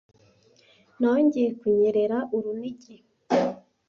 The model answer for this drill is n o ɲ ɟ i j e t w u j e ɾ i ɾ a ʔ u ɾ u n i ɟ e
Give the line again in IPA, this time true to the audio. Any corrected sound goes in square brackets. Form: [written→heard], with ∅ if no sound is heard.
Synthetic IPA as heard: n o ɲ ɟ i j e [t→k] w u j e ɾ [i→e] ɾ a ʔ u ɾ u n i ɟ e